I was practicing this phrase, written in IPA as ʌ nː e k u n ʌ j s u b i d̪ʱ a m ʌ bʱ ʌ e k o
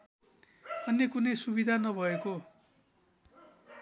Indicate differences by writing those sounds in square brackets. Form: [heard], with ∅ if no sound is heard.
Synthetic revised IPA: ʌ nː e k u n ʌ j s u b i d̪ʱ a [n] ʌ bʱ ʌ e k o